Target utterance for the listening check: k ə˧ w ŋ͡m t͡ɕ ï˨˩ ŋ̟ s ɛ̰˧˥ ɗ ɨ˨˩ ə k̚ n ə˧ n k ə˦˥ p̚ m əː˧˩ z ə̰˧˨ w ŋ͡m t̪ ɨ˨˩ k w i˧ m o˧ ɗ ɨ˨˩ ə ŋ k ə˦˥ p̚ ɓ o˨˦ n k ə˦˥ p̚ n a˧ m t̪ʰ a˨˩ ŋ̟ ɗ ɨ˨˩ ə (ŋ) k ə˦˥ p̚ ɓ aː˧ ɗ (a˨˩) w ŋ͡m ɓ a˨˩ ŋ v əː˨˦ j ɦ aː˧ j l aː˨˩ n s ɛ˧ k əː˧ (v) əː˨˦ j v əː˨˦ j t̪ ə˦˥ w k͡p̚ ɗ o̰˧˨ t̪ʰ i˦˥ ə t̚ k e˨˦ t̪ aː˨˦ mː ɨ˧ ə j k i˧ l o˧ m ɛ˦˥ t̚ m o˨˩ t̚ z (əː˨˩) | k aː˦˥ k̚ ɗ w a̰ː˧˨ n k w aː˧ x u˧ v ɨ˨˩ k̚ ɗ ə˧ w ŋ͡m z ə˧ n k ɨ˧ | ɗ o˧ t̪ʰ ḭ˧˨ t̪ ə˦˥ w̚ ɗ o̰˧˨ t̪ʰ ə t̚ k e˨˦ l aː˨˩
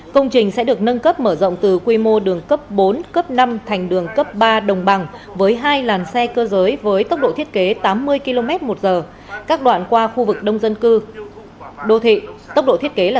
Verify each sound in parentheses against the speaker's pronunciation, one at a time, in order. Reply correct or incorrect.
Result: correct, incorrect: ə˨˩, incorrect: z, correct

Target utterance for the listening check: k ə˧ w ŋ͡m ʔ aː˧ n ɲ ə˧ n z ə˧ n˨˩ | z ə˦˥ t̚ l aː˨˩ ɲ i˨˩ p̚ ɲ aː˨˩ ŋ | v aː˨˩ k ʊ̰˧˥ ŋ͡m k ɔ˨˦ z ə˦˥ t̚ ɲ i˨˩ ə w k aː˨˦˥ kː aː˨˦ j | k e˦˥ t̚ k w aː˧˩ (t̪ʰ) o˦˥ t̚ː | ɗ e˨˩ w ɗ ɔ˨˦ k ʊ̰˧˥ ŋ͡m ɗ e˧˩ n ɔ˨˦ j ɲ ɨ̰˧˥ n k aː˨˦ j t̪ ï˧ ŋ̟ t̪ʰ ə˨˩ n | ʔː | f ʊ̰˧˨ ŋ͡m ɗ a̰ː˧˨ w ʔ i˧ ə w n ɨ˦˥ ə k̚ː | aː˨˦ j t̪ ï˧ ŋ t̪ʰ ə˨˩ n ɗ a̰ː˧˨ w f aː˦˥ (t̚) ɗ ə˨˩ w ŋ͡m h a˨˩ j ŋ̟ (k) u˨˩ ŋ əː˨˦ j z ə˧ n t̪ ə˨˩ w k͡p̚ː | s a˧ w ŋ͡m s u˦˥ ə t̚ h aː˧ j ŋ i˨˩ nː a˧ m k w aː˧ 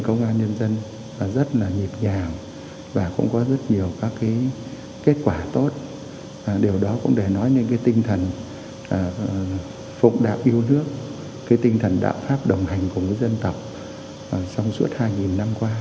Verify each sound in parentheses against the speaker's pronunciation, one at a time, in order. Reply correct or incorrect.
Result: incorrect: t̪, incorrect: p̚, correct

